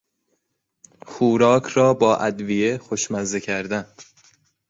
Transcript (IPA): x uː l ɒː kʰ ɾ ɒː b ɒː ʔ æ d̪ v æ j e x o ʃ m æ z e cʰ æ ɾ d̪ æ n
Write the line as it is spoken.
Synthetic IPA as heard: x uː ɾ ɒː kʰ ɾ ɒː b ɒː ʔ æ d̪ v i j e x o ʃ m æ z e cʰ æ ɾ d̪ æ n